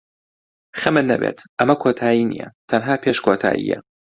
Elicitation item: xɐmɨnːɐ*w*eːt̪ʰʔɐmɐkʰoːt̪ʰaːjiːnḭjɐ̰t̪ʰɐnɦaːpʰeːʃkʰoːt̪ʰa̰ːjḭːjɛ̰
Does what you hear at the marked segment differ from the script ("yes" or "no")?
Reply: yes